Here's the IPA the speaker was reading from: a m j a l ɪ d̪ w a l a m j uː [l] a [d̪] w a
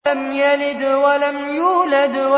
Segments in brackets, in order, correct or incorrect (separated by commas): correct, correct